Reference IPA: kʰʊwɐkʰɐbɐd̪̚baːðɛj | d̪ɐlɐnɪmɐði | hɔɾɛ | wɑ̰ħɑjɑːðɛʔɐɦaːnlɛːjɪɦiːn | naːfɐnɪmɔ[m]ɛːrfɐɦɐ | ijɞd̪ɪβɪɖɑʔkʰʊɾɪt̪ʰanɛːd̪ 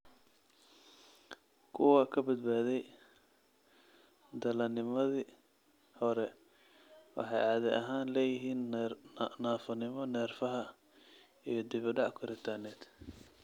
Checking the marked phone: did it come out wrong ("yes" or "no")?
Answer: yes